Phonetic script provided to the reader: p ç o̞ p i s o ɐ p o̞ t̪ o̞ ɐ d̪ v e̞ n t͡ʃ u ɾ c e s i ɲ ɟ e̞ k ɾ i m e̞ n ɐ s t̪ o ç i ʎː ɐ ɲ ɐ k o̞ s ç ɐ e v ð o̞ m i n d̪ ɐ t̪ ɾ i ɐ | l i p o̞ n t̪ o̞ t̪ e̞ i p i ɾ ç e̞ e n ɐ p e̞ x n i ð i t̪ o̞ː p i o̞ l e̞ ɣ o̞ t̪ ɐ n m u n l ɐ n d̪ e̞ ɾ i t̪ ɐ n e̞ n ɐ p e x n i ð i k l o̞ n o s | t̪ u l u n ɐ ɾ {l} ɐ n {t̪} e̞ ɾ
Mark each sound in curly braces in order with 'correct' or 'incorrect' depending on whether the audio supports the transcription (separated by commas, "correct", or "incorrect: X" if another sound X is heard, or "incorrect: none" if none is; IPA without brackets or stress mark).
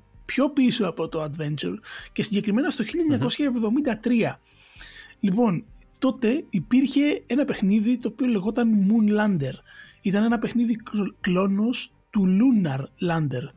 correct, incorrect: d̪